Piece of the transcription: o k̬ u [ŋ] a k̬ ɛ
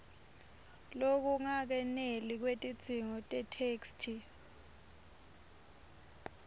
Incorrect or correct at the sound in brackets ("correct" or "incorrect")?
correct